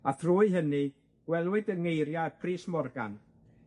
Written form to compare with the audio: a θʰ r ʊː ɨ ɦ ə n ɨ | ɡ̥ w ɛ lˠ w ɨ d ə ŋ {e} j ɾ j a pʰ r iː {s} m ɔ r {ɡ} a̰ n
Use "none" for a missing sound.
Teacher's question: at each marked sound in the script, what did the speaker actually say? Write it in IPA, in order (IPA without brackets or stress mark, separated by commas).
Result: e, s, ɡ